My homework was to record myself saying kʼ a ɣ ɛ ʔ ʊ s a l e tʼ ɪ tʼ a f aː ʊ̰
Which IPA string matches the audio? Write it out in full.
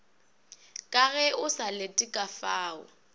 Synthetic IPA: kʼ a ɣ ɛ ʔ ʊ s a l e tʼ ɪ kʼ a f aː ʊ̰